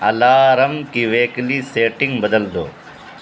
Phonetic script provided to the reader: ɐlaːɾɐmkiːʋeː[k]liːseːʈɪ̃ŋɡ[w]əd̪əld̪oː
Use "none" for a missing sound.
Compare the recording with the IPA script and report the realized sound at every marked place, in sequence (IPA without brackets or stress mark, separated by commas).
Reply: k, b